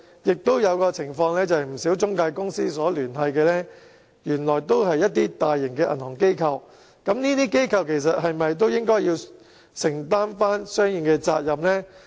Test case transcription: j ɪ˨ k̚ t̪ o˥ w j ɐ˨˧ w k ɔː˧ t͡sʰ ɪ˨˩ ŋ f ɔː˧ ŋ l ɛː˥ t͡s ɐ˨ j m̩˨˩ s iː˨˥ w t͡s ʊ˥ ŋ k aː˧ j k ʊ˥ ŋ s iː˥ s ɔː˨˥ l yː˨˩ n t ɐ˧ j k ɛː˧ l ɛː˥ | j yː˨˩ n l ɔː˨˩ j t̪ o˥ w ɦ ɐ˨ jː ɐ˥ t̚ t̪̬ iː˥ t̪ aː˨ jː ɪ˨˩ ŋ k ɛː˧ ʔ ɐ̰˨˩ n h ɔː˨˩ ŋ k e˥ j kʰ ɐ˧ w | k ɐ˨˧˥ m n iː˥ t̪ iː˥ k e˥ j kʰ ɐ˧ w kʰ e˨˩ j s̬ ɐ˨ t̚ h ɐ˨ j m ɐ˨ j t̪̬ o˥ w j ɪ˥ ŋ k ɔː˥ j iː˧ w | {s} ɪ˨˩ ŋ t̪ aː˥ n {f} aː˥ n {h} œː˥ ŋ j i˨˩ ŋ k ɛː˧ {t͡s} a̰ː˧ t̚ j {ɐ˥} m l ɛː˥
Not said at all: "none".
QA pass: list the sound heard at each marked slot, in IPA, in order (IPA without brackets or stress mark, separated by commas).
s, f, s, t͡s, ɐ˨